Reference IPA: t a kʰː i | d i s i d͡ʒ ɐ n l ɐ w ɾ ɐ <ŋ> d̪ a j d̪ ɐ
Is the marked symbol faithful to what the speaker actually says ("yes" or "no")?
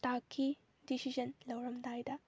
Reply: no